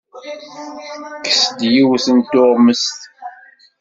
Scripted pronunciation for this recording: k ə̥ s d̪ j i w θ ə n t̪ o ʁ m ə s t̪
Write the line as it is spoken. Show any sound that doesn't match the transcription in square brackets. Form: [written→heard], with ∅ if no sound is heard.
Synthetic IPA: k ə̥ s d̪ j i w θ ə n t̪ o ʁ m ə s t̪